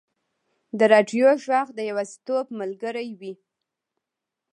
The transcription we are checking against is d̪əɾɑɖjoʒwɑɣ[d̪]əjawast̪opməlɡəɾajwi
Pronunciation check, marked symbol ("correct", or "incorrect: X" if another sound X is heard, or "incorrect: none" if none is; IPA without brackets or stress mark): correct